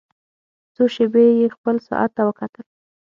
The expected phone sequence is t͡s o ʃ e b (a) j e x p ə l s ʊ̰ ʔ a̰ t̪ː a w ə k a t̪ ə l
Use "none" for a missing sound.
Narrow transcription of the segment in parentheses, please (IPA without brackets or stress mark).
e